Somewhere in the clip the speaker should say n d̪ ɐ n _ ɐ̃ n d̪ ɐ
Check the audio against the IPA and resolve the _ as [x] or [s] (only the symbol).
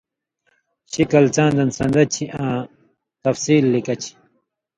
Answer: s